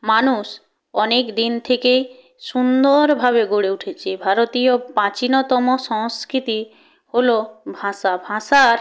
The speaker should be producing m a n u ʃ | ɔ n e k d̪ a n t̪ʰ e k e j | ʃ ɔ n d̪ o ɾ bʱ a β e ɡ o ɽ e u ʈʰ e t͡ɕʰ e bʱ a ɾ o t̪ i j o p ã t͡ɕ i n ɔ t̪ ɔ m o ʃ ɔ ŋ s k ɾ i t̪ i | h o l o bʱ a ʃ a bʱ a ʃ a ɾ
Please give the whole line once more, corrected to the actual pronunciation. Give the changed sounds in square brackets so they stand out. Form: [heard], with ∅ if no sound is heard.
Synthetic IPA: m a n u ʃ | ɔ n e k d̪ [i] n t̪ʰ e k e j | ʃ [u] n d̪ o ɾ bʱ a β e ɡ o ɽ e u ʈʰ e t͡ɕʰ e bʱ a ɾ o t̪ i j o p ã t͡ɕ i n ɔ t̪ ɔ m o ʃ ɔ ŋ s k ɾ i t̪ i | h o l o bʱ a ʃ a bʱ a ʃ a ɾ